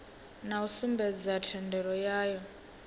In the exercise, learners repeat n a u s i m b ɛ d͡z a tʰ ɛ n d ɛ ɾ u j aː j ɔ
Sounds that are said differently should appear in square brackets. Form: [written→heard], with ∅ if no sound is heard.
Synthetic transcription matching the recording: n a u s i m b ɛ d͡z a tʰ ɛ n d ɛ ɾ [u→ɔ] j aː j ɔ